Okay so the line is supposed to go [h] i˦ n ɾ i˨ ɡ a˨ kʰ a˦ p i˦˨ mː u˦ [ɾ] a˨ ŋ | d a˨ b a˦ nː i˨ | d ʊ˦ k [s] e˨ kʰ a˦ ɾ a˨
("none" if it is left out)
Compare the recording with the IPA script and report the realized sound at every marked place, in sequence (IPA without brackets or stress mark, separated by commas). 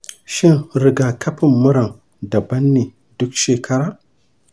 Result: ʃ, ɾ, ʃ